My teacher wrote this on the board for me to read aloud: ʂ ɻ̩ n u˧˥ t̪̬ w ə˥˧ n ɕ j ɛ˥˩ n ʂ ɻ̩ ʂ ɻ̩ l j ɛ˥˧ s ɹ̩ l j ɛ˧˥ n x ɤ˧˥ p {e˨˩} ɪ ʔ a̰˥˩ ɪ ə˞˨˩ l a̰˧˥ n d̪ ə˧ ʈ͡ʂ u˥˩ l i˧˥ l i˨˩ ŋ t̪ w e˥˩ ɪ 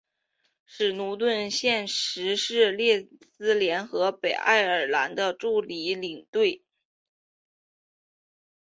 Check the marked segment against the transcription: correct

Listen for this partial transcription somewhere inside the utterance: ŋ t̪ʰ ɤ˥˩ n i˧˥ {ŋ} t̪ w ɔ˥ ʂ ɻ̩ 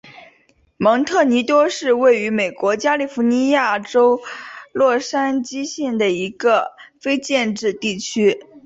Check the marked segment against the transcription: incorrect: none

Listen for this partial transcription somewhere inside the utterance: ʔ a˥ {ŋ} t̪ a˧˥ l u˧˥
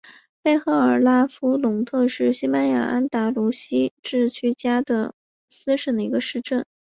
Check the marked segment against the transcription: incorrect: n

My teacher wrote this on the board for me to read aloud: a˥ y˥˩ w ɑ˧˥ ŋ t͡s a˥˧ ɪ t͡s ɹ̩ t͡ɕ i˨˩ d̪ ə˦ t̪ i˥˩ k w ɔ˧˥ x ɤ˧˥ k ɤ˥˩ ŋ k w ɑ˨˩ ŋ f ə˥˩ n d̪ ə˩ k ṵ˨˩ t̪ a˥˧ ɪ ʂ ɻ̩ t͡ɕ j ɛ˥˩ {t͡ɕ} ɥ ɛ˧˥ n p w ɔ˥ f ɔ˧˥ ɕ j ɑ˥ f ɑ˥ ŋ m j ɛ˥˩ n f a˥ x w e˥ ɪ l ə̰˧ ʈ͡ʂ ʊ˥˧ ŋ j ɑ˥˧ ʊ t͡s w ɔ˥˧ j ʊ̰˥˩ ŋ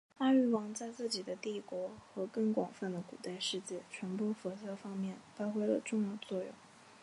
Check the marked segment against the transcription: incorrect: t͡ɕʰ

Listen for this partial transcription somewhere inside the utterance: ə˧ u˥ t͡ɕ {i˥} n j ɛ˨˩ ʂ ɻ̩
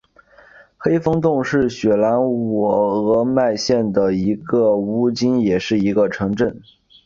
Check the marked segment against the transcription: correct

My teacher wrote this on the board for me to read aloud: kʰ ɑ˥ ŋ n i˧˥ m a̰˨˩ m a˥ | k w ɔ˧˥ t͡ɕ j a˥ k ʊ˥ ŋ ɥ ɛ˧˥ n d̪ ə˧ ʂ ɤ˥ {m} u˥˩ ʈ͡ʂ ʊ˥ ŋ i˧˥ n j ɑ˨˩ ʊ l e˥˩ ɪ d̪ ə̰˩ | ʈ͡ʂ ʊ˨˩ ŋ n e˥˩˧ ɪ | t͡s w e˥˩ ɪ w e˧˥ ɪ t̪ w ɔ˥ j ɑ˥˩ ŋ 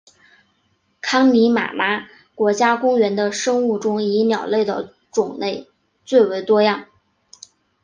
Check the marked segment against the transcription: incorrect: ŋ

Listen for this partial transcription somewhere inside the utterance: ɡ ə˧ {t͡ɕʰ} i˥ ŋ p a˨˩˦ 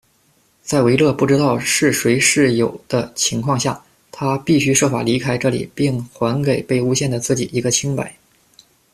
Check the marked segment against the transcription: correct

